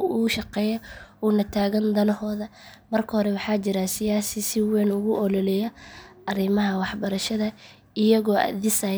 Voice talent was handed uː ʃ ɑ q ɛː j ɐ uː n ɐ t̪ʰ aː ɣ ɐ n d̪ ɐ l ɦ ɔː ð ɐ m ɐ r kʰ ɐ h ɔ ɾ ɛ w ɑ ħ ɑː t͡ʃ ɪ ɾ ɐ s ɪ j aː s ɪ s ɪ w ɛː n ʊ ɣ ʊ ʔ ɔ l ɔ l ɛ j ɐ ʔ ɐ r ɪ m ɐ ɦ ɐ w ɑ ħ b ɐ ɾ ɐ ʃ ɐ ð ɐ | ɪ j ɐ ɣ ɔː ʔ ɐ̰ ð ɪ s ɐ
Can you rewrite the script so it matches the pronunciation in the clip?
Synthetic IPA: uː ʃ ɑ q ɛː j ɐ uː n ɐ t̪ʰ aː ɣ ɐ n d̪ ɐ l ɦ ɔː ð ɐ m ɐ r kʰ ɐ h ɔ ɾ ɛ w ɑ ħ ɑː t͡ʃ ɪ ɾ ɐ s ɪ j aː s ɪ s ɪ w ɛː n ʊ ɣ ʊ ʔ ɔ l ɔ l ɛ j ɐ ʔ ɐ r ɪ m ɐ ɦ ɐ w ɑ ħ b ɐ ɾ ɐ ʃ ɐ ð ɐ | ɪ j ɐ ɣ ɔː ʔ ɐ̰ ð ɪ s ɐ